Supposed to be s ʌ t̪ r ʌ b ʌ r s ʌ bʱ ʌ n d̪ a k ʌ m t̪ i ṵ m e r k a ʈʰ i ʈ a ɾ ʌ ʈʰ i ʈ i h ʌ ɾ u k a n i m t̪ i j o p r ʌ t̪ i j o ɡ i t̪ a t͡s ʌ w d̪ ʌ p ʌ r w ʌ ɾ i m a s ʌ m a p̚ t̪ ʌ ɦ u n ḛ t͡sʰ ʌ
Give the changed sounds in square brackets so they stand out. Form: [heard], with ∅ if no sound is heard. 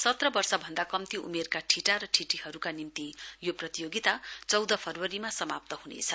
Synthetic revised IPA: s ʌ t̪ r ʌ b ʌ r s ʌ bʱ ʌ n d̪ a k ʌ m t̪ i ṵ m e r k a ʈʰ i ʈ a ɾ ʌ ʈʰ i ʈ i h ʌ ɾ u k a n i m t̪ i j o p r ʌ t̪ i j o ɡ i t̪ a t͡s ʌ w d̪ ʌ [pʰ] ʌ r w ʌ ɾ i m a s ʌ m a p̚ t̪ ʌ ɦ u n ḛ t͡sʰ ʌ